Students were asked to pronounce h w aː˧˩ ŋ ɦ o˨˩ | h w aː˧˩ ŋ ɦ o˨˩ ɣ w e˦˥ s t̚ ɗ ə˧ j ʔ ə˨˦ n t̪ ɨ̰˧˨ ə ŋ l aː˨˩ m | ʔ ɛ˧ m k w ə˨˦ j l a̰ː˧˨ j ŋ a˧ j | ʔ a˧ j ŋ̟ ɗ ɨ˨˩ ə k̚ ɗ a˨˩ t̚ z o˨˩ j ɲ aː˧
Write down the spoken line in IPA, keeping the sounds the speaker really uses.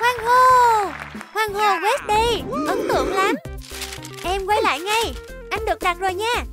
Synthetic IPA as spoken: h w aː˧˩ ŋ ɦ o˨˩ | h w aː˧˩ ŋ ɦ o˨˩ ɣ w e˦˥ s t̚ ɗ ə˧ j ʔ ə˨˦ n t̪ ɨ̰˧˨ ə ŋ l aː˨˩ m | ʔ ɛ˧ m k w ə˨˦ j l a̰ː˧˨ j ŋ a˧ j | ʔ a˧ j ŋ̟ ɗ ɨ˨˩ ə k̚ ɗ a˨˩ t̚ z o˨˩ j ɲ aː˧